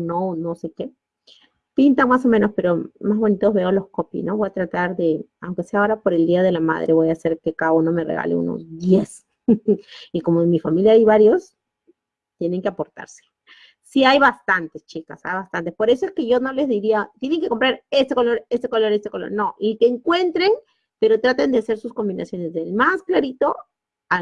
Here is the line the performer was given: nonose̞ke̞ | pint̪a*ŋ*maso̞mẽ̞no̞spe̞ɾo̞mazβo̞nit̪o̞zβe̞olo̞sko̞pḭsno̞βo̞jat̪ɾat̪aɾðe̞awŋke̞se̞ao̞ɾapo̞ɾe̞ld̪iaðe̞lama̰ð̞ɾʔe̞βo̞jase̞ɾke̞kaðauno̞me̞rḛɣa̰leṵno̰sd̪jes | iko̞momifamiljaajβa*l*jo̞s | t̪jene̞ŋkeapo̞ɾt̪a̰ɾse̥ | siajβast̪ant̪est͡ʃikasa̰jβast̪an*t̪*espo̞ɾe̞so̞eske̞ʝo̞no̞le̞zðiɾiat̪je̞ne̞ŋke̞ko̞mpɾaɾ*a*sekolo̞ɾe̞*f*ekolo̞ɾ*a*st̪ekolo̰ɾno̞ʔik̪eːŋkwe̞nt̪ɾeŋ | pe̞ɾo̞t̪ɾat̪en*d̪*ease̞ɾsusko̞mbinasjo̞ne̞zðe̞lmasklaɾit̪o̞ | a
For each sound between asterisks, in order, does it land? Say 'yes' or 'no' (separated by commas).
yes, no, yes, no, no, no, yes